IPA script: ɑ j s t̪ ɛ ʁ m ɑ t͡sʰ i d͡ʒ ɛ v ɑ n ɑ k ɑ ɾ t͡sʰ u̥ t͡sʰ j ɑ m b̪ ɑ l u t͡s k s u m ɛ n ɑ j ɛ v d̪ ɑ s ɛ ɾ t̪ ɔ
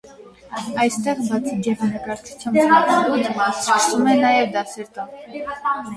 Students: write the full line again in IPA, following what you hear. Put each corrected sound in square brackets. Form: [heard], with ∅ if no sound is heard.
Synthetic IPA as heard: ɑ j s t̪ ɛ ʁ [b] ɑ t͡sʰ i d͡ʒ ɛ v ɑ n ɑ k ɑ ɾ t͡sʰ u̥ t͡sʰ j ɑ m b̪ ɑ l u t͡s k s u m ɛ n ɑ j ɛ v d̪ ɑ s ɛ ɾ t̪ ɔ